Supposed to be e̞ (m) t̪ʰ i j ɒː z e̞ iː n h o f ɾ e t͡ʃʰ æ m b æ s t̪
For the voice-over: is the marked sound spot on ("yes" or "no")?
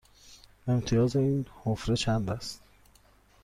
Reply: yes